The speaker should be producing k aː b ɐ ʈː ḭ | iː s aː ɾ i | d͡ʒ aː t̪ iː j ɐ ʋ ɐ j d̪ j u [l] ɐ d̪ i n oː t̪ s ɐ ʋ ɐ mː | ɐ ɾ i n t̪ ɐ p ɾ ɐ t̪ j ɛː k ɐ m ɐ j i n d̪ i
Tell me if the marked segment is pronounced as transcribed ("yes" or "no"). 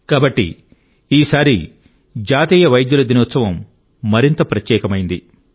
yes